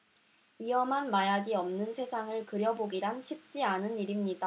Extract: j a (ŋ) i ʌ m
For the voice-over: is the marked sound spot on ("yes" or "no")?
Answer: no